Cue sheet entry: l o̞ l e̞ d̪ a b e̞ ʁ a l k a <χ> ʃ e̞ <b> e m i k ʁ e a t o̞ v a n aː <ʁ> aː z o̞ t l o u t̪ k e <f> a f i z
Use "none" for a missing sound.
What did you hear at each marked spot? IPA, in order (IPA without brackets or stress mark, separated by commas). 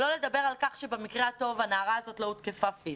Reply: χ, b, ʁ, f